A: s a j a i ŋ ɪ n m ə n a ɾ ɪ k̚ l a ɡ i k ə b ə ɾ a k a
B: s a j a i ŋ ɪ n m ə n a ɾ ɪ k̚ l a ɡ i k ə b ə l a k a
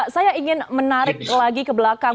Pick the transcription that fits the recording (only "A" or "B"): B